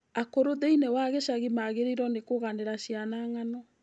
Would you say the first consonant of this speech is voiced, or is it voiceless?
voiceless